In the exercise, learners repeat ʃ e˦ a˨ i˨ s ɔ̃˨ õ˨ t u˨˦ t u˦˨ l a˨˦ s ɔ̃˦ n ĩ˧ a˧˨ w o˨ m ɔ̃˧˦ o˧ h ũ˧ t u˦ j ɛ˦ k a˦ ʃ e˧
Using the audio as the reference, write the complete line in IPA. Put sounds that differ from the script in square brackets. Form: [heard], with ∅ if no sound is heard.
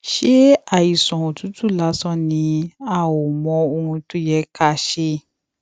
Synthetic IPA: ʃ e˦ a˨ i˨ s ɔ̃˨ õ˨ t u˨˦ t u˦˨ l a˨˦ s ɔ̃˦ n ĩ˧ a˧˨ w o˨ m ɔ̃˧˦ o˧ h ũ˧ t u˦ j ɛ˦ k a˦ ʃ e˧